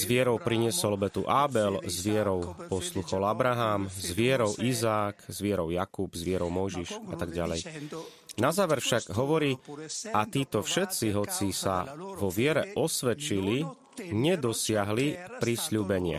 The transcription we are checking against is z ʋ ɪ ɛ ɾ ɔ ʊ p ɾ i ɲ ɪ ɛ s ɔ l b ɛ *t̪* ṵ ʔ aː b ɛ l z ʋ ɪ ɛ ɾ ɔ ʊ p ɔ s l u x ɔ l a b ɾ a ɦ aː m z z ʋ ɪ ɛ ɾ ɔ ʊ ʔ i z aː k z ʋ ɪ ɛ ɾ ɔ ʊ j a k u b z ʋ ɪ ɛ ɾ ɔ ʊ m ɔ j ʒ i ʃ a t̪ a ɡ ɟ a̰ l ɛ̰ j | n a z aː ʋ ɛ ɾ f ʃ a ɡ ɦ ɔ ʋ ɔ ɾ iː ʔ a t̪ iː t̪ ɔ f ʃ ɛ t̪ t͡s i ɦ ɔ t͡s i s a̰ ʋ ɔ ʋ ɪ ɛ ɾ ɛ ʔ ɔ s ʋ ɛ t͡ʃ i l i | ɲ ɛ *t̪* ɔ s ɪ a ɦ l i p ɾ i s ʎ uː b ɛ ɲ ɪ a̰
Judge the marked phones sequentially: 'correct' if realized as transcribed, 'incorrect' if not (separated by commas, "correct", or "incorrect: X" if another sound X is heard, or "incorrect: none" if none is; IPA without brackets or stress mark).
correct, incorrect: d̪